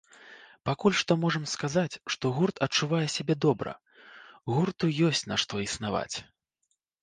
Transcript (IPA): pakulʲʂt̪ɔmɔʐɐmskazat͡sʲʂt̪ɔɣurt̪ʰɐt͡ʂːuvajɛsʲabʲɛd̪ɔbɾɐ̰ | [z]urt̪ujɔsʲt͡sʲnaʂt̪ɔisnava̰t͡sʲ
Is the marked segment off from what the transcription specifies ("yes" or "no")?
yes